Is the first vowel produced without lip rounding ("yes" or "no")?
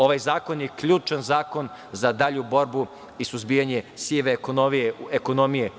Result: no